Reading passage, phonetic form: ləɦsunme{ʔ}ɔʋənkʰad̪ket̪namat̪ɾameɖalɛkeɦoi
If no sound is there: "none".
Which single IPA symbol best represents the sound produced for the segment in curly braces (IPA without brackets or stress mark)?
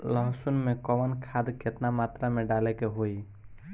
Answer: k